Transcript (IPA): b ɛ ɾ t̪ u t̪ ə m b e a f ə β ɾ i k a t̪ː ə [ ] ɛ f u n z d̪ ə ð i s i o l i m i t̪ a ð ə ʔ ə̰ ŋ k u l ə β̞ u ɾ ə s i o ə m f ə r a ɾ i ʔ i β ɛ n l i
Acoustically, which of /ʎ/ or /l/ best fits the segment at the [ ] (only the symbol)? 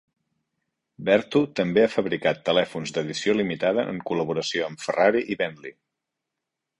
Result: l